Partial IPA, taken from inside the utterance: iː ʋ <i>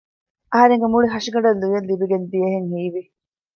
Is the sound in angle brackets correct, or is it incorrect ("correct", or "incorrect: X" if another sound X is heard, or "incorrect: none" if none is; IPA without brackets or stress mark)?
correct